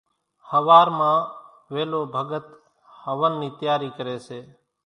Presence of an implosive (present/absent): absent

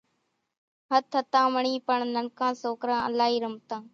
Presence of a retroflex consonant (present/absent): present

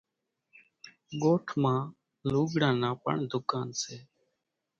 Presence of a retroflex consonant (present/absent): present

